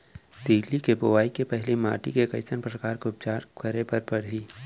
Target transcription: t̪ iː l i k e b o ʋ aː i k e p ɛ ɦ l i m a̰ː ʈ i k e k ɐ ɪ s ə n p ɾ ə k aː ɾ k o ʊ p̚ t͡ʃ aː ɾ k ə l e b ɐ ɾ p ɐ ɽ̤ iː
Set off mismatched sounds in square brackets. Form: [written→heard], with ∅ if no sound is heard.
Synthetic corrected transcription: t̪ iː l i k e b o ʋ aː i k e p ɛ ɦ l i m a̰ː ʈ i k e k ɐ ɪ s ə n p ɾ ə k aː ɾ k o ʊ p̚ t͡ʃ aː ɾ k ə [l→ɾ] e [b→p] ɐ ɾ p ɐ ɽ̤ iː